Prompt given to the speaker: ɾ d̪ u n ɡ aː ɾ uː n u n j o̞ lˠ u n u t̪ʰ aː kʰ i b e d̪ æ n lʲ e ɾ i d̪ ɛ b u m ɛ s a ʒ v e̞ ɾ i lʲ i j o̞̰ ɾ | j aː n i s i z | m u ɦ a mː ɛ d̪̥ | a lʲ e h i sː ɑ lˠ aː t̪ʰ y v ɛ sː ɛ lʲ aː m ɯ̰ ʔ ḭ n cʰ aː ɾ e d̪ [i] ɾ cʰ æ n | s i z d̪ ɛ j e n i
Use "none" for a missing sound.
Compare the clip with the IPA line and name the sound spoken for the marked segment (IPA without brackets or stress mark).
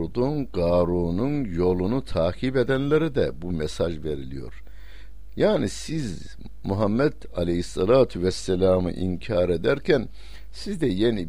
æ